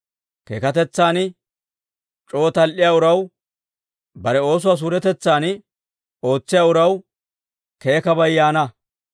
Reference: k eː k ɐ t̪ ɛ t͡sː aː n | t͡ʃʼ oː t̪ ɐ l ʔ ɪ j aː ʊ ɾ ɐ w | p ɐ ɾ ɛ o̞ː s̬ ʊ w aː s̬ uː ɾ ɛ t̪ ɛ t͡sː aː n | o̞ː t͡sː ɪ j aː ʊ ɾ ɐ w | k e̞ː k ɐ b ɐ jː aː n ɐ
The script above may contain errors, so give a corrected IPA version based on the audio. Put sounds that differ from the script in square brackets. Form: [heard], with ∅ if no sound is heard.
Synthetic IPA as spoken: k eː k ɐ t̪ ɛ t͡sː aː n | t͡ʃʼ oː t̪ ɐ l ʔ ɪ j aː ʊ ɾ ɐ w | [b] ɐ ɾ ɛ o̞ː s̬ ʊ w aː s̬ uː ɾ ɛ t̪ ɛ t͡sː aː n | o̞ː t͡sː ɪ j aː ʊ ɾ ɐ w | k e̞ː k ɐ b ɐ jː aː n ɐ